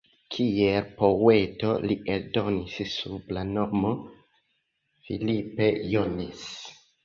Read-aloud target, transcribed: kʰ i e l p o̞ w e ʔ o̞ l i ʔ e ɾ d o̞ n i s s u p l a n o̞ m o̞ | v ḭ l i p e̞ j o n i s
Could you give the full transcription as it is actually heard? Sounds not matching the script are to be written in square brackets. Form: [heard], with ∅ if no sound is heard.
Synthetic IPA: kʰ i e l p o̞ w e [t] o̞ l i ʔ e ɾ d o̞ n i s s u [b] l a n o̞ m o̞ | [f] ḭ l i p e̞ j o n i s